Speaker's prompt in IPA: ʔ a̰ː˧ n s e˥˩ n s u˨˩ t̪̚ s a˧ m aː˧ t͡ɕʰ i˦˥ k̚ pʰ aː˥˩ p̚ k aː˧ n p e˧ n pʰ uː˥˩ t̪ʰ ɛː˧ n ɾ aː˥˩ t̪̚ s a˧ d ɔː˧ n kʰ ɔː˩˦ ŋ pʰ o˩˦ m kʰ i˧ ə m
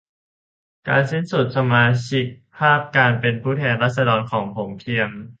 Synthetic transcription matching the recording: k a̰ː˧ n s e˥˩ n s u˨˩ t̪̚ s a˧ m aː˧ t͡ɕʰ i˦˥ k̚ pʰ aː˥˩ p̚ k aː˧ n p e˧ n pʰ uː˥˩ t̪ʰ ɛː˧ n ɾ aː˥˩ t̪̚ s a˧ d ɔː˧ n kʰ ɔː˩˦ ŋ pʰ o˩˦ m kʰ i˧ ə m